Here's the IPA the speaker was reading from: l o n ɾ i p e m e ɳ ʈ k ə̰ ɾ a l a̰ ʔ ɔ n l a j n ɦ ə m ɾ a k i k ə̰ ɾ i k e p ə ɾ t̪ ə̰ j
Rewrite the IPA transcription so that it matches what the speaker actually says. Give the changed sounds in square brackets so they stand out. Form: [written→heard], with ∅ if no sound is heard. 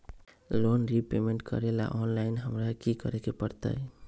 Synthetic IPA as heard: l o n ɾ i p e m e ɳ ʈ k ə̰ ɾ [a→e] l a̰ ʔ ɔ n l a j n ɦ ə m ɾ a k i k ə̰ ɾ [i→e] k e p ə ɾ t̪ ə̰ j